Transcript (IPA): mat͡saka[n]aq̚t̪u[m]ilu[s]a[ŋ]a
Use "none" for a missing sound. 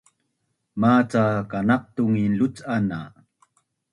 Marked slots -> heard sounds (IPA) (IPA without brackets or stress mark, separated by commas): n, ŋ, t͡s, n